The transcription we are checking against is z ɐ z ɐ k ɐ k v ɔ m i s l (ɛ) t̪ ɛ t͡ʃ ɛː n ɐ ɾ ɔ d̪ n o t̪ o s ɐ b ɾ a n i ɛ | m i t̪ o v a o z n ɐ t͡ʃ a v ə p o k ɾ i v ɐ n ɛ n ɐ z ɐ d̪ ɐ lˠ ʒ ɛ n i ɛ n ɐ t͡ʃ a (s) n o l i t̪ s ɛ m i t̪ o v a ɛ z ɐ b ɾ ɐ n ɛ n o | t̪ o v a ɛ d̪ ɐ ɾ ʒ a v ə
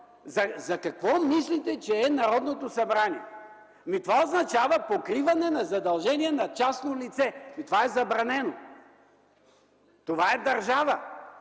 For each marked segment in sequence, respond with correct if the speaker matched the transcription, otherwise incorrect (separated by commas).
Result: incorrect, correct